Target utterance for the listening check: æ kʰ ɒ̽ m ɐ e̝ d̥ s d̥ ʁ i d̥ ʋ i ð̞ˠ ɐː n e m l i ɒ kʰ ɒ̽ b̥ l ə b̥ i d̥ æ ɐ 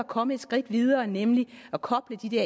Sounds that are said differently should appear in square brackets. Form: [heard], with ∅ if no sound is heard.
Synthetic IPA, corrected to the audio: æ kʰ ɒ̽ m [ə] e̝ d̥ s [ɡ̥] ʁ i d̥ ʋ i ð̞ˠ ɐː n e m l i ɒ kʰ ɒ̽ b̥ l ə [d̥] i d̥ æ ɐ